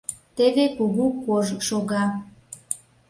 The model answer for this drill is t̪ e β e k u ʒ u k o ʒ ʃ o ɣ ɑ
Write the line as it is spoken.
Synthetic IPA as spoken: t̪ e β e k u ɣ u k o ʒ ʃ o ɣ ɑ